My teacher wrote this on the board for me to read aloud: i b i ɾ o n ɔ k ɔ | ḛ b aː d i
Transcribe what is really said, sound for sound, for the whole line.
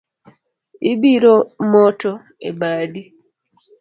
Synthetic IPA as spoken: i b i ɾ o m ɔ t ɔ | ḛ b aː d i